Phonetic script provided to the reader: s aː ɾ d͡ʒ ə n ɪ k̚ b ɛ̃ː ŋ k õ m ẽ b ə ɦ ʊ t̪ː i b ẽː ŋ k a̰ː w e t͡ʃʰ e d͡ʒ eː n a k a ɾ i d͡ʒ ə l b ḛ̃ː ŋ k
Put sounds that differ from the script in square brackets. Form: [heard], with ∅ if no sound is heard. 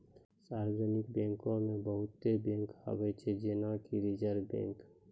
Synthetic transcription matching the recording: s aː ɾ d͡ʒ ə n ɪ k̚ b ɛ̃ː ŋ k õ m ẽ b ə ɦ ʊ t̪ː [e] b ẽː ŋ k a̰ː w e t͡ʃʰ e d͡ʒ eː n a k [i] ɾ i d͡ʒ ə [ɾ] b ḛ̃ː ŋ k